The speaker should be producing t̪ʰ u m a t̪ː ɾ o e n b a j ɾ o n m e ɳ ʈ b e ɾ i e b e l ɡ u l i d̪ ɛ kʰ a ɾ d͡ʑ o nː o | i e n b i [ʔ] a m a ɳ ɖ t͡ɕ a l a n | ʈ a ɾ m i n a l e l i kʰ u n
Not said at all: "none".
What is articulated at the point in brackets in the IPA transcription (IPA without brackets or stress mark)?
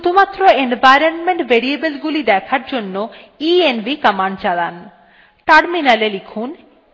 k